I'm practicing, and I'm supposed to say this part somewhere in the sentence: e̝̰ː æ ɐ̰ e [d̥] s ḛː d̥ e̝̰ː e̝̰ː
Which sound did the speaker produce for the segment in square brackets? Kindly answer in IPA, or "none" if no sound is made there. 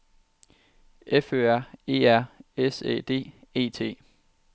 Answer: none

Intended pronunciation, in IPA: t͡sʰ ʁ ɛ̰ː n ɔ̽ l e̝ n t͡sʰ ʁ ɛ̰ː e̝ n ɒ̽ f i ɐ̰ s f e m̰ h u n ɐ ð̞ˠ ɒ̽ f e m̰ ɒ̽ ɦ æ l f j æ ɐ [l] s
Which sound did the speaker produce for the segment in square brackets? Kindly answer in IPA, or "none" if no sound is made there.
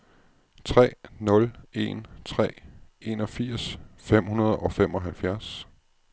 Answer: none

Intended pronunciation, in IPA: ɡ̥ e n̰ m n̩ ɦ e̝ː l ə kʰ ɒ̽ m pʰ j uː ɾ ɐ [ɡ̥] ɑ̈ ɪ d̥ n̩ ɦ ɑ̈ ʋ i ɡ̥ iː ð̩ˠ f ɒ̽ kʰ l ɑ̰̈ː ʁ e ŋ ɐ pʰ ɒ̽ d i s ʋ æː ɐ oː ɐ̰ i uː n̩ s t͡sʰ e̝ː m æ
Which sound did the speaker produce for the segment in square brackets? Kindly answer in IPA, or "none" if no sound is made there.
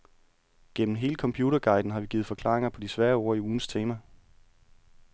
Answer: ɡ̥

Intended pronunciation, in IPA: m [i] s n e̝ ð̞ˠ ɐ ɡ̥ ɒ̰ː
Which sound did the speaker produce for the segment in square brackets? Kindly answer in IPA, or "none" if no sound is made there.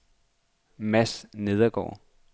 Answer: æ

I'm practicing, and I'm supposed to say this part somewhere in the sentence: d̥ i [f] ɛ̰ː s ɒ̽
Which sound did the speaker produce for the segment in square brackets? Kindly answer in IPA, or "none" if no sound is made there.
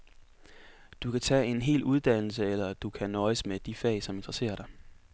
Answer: f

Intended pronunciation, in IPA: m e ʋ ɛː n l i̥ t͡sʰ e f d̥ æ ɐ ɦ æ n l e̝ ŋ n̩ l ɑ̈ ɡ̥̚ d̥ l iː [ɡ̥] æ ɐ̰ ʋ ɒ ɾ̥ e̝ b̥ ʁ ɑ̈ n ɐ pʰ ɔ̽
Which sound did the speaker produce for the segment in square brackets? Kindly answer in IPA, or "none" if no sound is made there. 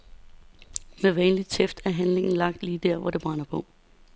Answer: d̥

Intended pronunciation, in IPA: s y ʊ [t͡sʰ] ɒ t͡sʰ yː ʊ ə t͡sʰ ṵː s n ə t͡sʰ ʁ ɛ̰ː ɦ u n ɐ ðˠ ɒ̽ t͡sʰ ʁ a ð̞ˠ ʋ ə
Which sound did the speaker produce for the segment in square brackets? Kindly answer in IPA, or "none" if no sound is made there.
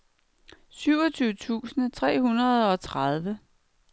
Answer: none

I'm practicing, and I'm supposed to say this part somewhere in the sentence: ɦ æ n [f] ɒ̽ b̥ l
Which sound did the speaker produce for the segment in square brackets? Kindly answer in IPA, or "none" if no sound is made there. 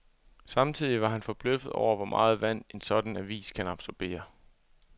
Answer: f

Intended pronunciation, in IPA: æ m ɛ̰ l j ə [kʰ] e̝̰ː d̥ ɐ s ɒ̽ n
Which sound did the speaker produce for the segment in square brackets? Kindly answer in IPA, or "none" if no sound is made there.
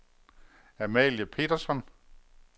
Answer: pʰ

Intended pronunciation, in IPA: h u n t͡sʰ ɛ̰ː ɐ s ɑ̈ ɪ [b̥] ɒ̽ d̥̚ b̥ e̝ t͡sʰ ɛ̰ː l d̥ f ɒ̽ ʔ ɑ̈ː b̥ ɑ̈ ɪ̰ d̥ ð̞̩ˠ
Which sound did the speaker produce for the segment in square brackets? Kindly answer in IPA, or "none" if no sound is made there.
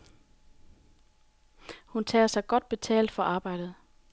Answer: ɡ̥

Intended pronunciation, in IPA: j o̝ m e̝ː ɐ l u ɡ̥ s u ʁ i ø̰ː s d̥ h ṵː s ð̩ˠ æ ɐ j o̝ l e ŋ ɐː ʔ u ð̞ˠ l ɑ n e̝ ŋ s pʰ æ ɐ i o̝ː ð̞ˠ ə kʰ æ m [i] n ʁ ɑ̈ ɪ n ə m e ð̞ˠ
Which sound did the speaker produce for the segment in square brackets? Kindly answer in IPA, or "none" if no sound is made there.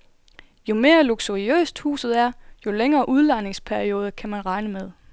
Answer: æ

